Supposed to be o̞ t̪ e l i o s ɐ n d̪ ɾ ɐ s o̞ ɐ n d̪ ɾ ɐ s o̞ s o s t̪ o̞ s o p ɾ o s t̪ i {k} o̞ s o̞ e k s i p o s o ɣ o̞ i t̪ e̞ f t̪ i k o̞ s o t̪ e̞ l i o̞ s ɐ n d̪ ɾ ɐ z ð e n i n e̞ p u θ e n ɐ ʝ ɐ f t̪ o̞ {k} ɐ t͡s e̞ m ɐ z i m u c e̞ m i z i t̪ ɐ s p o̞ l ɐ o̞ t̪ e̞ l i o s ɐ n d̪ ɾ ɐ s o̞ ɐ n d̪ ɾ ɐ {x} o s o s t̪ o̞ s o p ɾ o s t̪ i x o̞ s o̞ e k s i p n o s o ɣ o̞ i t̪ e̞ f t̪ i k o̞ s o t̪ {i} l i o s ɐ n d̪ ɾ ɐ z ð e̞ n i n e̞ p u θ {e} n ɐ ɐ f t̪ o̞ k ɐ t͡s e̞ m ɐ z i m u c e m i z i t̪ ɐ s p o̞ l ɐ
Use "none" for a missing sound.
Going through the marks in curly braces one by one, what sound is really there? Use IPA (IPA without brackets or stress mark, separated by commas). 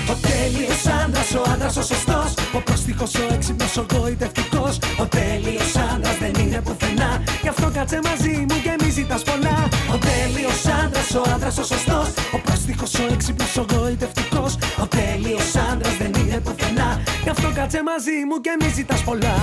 x, k, s, e, e